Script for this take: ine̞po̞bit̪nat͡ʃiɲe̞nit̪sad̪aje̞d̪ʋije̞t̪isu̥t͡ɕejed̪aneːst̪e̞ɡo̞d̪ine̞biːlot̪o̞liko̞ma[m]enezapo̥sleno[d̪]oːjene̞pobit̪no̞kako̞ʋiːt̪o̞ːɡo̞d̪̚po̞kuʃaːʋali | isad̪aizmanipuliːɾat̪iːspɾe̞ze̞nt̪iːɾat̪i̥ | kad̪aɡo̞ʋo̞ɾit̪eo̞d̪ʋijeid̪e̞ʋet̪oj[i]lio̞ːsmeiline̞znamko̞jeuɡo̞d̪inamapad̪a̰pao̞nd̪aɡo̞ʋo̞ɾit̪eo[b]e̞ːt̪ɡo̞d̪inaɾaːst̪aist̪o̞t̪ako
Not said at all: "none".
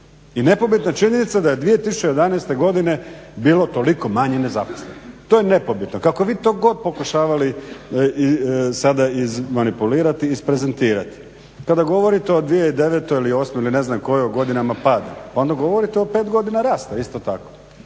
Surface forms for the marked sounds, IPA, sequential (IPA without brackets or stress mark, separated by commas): ɲ, t̪, i, p